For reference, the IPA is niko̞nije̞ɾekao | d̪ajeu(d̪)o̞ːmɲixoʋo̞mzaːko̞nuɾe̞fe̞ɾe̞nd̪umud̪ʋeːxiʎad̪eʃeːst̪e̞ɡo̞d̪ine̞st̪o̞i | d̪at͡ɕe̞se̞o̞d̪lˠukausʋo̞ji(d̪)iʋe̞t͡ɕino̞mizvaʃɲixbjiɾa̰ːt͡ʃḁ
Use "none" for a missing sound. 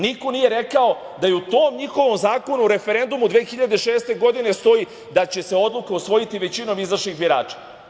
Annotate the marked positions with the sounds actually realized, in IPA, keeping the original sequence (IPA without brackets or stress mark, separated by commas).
t̪, t̪